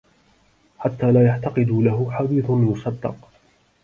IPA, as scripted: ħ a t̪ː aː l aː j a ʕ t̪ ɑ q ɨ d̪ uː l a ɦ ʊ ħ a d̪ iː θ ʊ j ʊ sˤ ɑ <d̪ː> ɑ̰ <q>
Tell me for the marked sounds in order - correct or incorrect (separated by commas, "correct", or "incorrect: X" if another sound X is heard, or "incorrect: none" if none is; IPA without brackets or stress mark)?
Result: correct, correct